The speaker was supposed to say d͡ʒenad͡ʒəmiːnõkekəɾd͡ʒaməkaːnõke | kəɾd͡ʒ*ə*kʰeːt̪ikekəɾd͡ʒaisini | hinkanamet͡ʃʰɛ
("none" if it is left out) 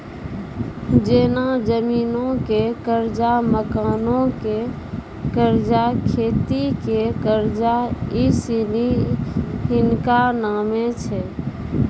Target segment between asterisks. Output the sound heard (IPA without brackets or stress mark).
a